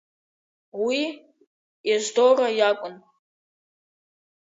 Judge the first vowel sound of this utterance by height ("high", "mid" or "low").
high